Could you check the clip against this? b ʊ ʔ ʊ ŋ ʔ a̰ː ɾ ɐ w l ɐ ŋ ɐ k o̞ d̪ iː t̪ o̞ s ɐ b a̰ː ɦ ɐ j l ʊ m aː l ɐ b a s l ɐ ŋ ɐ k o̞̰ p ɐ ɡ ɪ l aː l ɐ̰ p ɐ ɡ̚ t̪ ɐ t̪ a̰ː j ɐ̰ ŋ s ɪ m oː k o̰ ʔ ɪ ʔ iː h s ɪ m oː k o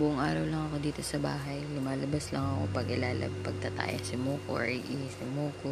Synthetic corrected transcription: b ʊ ʔ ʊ ŋ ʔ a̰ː ɾ ɐ w l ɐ ŋ ɐ k o̞ d̪ iː t̪ o̞ s ɐ b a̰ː ɦ ɐ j l ʊ m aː l ɐ b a s l ɐ ŋ ɐ k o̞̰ p ɐ ɡ ɪ l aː l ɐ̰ p ɐ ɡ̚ t̪ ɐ t̪ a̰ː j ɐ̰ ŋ s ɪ m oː k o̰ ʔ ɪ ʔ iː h s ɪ m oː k o